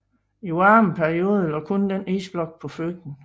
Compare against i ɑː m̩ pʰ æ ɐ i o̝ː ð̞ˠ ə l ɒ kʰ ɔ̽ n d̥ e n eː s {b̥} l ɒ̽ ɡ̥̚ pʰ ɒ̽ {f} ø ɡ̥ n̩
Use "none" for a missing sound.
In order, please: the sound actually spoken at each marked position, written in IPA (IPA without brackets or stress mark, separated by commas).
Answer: b̥, f